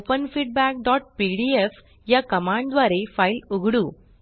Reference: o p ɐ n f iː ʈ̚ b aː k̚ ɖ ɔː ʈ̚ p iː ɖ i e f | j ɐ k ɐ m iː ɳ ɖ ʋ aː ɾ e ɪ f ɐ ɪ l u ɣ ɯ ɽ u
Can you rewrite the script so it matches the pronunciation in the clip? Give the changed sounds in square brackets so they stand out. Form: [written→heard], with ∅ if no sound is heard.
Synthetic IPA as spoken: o p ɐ n f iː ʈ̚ b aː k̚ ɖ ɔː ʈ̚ p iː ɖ i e f | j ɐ k ɐ m [iː→aː] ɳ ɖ ʋ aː ɾ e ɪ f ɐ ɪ l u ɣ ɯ ɽ u